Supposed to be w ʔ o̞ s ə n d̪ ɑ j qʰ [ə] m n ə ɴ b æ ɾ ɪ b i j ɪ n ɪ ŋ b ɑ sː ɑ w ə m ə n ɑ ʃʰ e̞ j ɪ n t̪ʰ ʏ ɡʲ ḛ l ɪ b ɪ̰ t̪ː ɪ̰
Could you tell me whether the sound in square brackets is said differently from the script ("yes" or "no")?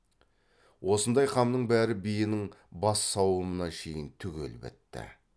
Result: yes